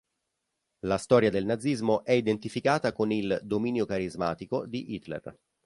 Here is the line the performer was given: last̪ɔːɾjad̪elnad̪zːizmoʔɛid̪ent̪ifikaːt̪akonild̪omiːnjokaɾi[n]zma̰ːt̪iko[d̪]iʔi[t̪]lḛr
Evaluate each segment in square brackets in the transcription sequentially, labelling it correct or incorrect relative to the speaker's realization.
incorrect: none, correct, correct

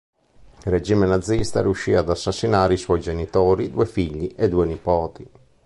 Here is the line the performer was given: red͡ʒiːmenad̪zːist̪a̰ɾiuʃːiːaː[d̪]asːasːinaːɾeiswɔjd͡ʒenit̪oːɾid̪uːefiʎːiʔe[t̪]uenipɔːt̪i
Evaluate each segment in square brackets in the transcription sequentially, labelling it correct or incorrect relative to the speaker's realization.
correct, incorrect: d̪

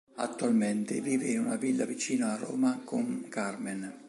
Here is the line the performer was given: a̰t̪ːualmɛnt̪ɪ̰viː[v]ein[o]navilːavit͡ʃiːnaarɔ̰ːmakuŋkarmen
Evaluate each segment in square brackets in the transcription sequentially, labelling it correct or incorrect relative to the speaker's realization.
correct, incorrect: u

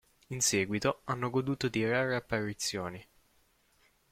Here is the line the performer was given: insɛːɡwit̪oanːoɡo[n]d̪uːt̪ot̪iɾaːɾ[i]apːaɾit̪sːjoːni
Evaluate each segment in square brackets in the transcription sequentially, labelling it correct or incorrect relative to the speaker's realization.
incorrect: none, incorrect: e

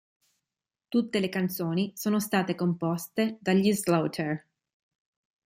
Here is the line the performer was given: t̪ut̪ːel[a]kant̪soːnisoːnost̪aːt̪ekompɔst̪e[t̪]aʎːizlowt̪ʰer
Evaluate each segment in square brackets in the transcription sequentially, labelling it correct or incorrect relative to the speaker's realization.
incorrect: e, incorrect: d̪

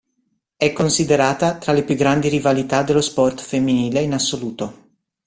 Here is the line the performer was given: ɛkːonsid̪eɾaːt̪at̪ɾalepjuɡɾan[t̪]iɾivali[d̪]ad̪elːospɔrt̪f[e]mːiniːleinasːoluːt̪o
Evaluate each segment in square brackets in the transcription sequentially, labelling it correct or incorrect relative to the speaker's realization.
incorrect: d̪, incorrect: t̪, correct

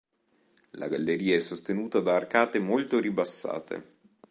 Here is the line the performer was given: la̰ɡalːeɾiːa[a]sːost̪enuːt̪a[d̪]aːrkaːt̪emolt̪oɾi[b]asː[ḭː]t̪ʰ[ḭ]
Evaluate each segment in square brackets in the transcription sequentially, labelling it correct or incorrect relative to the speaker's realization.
incorrect: ɛ, correct, correct, incorrect: a̰ː, incorrect: ḛ

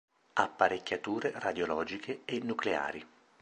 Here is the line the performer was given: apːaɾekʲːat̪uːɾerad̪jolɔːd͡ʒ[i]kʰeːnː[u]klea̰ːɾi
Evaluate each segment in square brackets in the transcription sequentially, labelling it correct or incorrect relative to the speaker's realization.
correct, correct

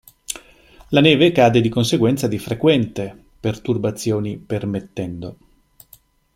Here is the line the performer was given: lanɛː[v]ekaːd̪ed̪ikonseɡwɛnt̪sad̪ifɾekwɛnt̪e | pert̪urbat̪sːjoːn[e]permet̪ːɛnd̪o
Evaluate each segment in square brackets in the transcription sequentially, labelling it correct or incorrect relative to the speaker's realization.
correct, incorrect: i

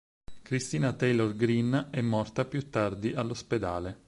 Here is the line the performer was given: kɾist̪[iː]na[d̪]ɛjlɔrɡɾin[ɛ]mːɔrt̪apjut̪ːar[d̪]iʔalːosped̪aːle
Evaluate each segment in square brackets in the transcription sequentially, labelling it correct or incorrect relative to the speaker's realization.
correct, incorrect: t̪, correct, correct

